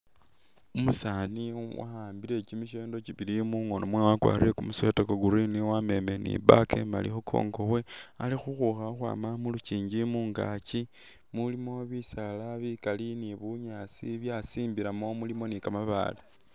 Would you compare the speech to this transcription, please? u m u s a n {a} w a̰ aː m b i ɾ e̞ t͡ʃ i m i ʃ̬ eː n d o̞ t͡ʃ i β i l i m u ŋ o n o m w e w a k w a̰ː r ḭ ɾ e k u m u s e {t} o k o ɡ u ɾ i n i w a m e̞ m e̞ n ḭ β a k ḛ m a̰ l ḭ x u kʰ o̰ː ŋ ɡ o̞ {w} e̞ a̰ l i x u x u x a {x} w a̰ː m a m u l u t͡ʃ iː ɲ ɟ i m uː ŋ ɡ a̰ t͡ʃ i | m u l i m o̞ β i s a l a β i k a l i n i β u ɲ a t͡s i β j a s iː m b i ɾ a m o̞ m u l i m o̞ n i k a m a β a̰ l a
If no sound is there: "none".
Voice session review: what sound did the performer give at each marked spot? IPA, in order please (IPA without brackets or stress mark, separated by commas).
i, t, w, x